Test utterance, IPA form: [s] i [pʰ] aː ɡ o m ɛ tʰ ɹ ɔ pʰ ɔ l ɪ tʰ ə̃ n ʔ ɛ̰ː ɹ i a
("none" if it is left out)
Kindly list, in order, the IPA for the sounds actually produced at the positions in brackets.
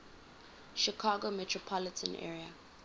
ʃ, kʰ

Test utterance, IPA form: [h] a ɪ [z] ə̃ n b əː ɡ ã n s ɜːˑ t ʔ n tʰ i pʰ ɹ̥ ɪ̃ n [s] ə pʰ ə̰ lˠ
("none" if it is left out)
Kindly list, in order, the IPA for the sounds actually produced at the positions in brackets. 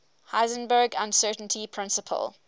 h, z, s

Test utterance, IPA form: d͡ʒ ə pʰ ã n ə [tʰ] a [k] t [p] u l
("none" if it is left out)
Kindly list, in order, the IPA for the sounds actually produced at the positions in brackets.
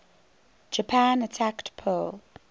tʰ, k, pʰ

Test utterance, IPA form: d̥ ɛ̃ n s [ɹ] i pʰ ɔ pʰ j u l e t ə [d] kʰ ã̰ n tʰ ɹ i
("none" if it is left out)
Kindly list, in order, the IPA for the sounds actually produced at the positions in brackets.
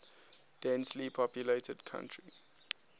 l, d

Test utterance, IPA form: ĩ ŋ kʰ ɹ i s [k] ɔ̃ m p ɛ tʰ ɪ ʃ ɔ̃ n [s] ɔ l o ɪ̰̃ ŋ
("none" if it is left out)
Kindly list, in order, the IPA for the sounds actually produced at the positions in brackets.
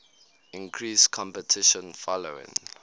kʰ, f

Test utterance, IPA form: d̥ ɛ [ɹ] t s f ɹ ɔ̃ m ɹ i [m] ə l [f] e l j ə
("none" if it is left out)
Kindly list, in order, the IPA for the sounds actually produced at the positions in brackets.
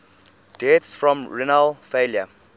none, n, f

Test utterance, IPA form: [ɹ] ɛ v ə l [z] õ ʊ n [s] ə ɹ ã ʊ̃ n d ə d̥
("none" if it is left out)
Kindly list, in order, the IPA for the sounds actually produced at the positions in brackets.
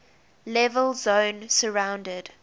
l, z, s

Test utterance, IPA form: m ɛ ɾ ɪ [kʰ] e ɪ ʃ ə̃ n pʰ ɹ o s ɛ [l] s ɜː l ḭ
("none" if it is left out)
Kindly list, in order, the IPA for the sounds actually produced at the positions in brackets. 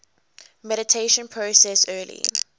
tʰ, none

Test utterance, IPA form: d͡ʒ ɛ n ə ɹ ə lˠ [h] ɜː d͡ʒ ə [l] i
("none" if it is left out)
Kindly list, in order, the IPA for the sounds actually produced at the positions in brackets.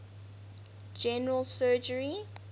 s, ɹ

